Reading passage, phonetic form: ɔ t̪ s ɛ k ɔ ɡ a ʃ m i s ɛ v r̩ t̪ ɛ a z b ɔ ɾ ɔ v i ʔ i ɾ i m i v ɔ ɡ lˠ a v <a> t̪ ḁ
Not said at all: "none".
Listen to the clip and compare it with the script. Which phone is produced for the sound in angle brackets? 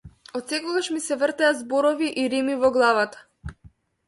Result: a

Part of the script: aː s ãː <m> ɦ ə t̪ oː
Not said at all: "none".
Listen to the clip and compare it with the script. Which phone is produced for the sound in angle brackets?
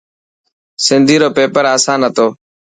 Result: n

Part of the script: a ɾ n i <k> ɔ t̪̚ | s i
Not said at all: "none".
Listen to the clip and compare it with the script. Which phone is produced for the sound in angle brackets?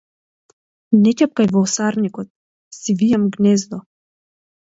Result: k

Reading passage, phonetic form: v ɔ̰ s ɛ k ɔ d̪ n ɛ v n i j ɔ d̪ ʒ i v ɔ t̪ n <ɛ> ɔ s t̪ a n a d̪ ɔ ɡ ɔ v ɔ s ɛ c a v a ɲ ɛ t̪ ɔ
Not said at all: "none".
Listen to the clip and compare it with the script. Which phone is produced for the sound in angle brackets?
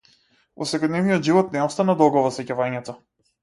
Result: ɛ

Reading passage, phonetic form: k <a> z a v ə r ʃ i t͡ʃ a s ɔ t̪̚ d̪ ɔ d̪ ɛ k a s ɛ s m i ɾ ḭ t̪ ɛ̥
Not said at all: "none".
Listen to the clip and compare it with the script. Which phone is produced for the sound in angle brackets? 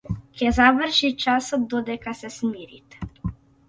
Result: ɛ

